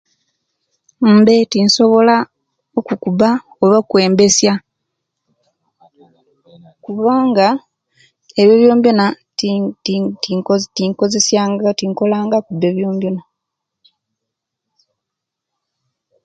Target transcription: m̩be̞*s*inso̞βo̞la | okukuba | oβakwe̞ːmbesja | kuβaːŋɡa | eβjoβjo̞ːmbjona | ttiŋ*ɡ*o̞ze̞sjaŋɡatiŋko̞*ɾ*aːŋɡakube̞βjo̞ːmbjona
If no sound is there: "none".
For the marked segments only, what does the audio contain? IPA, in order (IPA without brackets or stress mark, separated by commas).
t, k, l